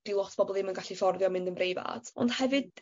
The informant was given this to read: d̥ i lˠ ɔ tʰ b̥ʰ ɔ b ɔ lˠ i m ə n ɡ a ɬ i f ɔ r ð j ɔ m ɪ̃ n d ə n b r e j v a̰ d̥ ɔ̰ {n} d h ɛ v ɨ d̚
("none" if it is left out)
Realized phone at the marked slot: n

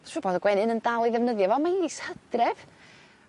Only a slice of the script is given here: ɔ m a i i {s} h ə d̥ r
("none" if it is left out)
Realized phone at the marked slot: s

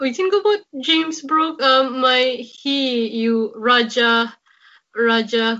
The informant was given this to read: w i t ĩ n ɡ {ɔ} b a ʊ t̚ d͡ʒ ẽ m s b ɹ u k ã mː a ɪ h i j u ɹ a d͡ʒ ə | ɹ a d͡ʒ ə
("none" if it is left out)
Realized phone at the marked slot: o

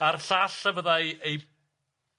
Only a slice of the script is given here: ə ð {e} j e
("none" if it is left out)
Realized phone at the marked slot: a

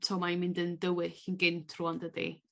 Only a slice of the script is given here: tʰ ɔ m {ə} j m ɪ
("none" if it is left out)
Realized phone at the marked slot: a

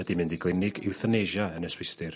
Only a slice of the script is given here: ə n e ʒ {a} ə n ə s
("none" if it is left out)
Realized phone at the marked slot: a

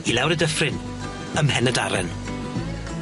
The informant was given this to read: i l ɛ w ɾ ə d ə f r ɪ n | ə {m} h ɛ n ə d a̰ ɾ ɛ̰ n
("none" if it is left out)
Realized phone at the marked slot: m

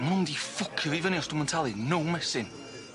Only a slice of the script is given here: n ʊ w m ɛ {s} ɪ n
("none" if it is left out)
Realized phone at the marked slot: s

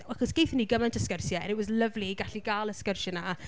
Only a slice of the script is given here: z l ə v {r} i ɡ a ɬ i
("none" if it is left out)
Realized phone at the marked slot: l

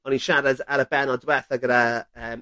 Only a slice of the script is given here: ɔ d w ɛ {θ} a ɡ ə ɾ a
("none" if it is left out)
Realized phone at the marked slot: θ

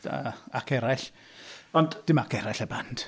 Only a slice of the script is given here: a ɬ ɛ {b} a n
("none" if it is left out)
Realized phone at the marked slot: b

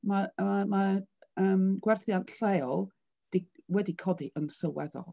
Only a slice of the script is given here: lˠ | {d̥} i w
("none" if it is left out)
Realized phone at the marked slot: d̥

